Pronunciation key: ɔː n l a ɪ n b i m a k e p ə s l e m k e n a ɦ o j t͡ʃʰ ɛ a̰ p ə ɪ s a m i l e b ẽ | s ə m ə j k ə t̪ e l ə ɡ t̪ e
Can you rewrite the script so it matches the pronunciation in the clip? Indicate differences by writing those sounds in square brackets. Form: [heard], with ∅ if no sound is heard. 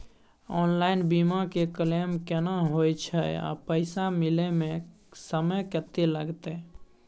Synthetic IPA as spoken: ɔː n l a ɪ n b i m a k e [k] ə [∅] l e m k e n a ɦ o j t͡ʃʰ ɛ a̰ p ə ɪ s a m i l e [m] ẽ | s ə m ə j k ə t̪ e l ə ɡ t̪ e